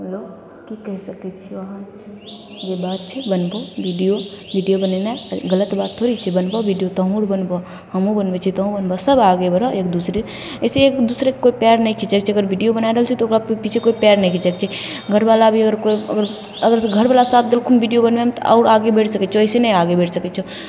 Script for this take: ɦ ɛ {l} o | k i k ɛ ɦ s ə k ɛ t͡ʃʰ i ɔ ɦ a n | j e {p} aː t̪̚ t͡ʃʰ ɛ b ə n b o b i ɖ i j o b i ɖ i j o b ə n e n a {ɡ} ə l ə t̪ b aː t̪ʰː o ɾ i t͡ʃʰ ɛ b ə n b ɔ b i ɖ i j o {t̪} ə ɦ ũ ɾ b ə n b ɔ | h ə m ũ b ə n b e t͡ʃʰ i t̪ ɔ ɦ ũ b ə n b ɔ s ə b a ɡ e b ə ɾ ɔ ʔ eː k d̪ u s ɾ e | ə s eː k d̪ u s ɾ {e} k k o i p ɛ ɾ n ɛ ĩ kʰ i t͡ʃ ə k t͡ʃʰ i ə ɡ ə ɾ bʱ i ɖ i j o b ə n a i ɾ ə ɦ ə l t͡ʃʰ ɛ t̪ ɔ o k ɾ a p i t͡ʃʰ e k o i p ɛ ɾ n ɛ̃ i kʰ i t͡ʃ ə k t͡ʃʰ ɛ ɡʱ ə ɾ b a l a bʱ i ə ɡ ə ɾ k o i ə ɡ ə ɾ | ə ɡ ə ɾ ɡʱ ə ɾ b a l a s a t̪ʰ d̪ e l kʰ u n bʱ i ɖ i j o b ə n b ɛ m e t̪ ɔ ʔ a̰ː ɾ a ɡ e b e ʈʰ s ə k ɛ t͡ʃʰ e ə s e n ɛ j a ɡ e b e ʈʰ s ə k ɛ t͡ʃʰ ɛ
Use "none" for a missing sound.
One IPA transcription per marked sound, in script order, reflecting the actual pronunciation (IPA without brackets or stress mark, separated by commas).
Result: l, b, ɡ, t̪, e